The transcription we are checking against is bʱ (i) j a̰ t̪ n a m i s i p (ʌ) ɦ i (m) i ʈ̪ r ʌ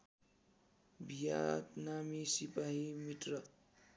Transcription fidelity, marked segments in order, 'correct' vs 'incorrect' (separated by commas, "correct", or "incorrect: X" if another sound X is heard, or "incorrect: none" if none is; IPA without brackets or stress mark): correct, incorrect: a, correct